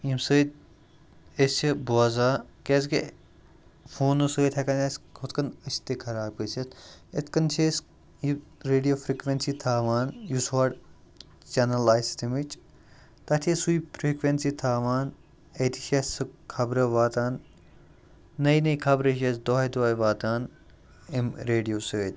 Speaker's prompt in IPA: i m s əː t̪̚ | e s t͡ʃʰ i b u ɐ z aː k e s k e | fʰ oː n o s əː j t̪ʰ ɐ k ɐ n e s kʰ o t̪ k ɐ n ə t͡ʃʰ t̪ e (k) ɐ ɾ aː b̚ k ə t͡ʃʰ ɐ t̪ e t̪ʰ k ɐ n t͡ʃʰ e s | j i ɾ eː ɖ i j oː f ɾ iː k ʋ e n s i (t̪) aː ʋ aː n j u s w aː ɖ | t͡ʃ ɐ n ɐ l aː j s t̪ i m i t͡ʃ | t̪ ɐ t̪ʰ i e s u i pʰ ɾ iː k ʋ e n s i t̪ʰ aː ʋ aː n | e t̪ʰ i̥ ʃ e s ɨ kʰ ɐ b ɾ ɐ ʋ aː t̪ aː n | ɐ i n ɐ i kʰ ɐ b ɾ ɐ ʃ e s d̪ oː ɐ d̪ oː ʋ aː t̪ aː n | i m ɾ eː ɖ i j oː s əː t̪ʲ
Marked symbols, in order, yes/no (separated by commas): no, no